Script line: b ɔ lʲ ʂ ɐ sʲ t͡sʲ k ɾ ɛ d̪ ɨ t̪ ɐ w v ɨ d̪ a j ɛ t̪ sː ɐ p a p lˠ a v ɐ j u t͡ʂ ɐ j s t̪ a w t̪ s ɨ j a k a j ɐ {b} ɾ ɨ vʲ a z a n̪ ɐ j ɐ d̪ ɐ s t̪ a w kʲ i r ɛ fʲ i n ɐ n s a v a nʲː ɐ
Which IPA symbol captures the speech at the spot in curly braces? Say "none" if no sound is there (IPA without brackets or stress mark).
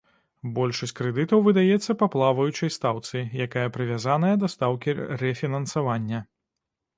p